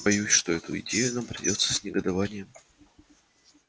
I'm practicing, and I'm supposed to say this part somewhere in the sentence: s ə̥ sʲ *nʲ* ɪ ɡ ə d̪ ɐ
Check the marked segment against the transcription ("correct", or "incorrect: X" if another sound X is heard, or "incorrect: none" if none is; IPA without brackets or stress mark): correct